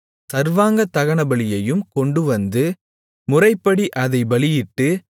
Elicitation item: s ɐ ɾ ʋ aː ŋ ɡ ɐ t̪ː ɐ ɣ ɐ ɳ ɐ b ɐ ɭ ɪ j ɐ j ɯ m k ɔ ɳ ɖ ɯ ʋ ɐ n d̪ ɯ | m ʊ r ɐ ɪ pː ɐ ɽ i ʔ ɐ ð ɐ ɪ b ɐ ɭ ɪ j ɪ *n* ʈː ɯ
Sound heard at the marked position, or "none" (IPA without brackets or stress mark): none